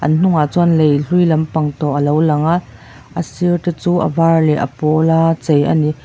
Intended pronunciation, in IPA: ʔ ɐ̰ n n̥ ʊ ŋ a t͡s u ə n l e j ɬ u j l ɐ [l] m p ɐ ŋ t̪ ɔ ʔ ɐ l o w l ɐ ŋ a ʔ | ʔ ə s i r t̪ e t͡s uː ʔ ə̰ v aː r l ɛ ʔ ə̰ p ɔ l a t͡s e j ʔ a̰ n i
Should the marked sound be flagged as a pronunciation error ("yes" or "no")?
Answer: yes